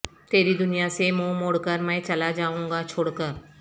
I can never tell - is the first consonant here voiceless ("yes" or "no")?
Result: yes